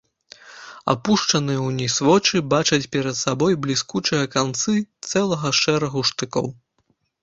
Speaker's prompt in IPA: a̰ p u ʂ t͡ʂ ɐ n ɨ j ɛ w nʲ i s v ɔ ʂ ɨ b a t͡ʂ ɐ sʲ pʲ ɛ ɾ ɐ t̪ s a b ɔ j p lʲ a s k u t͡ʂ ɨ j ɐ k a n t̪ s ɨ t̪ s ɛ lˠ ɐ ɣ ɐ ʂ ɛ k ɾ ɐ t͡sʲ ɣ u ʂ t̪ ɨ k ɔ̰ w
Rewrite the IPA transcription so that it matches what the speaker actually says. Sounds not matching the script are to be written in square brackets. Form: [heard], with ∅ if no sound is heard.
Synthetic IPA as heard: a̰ p u ʂ t͡ʂ ɐ n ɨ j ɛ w nʲ i s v ɔ [t͡ʂ] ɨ b a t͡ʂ ɐ [t͡sʲ] pʲ ɛ ɾ ɐ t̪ s a b ɔ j [b] lʲ [i] s k u t͡ʂ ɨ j ɐ k a n t̪ s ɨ t̪ s ɛ lˠ ɐ ɣ ɐ ʂ ɛ [∅] ɾ ɐ [∅] ɣ u ʂ t̪ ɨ k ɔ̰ w